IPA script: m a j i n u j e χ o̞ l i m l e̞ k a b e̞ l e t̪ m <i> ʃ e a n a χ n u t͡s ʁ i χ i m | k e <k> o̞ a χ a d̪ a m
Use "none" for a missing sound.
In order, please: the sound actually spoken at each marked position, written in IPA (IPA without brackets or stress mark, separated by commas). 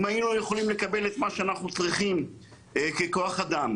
a, k